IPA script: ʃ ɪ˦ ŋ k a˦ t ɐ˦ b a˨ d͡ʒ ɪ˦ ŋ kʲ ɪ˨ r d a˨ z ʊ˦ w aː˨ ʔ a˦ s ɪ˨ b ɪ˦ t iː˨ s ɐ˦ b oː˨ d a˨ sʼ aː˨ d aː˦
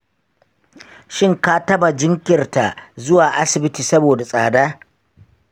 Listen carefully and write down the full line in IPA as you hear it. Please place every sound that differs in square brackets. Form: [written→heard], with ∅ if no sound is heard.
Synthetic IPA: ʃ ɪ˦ ŋ k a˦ t ɐ˦ b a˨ d͡ʒ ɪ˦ ŋ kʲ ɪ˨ r [d→t] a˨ z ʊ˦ w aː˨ ʔ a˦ s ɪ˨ b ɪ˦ t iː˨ s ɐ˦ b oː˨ d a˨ sʼ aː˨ d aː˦